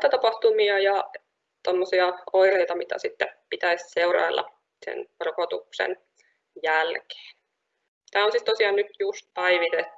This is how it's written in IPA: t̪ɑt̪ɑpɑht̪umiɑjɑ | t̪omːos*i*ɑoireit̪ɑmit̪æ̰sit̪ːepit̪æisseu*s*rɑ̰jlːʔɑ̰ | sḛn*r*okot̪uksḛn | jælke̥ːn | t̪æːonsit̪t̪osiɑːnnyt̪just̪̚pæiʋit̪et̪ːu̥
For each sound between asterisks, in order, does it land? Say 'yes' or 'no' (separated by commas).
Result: yes, no, yes